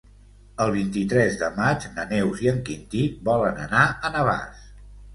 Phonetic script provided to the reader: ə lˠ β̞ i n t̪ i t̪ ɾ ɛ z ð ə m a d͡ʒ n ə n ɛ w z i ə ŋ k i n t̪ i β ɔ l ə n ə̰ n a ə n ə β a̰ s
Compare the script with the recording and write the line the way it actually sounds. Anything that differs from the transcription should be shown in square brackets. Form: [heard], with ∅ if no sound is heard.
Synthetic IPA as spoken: ə lˠ β̞ i n t̪ i t̪ ɾ ɛ z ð ə m a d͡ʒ n ə n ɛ w z i ə ŋ k i n t̪ i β ɔ l ə n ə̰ n a ə n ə β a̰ s